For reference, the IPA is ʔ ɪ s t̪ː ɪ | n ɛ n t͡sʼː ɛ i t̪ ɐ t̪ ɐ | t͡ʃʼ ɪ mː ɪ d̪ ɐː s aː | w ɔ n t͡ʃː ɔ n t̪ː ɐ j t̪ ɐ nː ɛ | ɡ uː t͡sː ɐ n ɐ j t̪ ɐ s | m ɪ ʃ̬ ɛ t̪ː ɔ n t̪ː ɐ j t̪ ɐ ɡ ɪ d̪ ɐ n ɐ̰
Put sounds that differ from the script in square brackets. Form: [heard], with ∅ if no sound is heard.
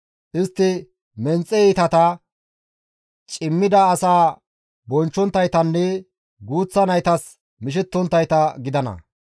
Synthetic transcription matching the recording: ʔ ɪ s t̪ː ɪ | [m] ɛ n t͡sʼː ɛ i t̪ ɐ t̪ ɐ | t͡ʃʼ ɪ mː ɪ d̪ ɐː s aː | [b] ɔ n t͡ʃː ɔ n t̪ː ɐ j t̪ ɐ nː ɛ | ɡ uː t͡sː ɐ n ɐ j t̪ ɐ s | m ɪ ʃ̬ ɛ t̪ː ɔ n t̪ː ɐ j t̪ ɐ ɡ ɪ d̪ ɐ n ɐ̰